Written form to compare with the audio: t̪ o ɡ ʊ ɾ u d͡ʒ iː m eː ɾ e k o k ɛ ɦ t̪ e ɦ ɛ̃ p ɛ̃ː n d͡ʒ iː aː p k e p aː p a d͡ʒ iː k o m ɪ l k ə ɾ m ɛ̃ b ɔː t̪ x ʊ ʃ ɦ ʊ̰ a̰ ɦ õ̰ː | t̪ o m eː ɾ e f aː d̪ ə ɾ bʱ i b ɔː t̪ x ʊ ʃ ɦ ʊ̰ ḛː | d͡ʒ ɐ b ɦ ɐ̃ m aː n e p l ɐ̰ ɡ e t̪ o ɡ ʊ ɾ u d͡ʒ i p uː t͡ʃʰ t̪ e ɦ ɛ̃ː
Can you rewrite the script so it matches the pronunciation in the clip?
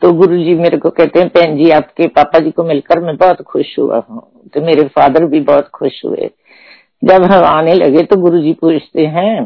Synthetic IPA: t̪ o ɡ ʊ ɾ u d͡ʒ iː m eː ɾ e k o k ɛ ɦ t̪ e ɦ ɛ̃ p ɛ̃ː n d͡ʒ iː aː p k e p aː p a d͡ʒ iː k o m ɪ l k ə ɾ m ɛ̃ b ɔː t̪ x ʊ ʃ ɦ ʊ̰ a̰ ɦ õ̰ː | t̪ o m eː ɾ e f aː d̪ ə ɾ bʱ i b ɔː t̪ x ʊ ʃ ɦ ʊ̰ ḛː | d͡ʒ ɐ b ɦ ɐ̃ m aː n e l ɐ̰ ɡ e t̪ o ɡ ʊ ɾ u d͡ʒ i p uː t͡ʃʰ t̪ e ɦ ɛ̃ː